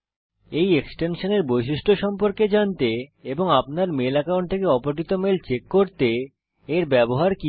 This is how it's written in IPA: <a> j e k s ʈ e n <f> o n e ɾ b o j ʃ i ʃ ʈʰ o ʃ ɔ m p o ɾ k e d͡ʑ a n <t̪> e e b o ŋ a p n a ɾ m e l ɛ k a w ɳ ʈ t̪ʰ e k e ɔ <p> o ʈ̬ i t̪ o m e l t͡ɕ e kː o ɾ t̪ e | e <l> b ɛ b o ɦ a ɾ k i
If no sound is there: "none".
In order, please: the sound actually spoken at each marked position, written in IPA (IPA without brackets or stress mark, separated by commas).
e, ʃ, t̪, p, ɾ